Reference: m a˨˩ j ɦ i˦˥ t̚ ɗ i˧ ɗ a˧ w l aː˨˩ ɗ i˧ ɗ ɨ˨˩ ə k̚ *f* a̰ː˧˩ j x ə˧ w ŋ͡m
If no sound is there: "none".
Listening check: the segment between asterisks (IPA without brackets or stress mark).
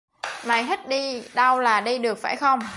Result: f